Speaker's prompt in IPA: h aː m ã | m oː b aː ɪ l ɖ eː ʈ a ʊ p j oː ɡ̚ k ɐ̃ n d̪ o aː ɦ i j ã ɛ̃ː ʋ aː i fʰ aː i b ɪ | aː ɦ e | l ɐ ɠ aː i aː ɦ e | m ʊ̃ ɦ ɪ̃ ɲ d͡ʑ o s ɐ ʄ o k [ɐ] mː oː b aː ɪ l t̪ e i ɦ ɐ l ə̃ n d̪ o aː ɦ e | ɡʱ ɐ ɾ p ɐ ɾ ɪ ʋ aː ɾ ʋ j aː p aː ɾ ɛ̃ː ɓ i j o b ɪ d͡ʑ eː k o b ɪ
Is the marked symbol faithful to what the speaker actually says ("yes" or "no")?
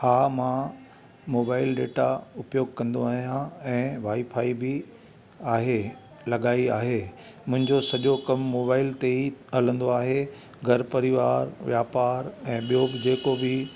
yes